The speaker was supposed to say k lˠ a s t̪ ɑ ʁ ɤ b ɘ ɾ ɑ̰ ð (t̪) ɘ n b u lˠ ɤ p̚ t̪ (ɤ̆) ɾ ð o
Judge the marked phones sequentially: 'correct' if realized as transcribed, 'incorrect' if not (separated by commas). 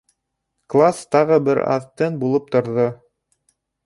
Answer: correct, incorrect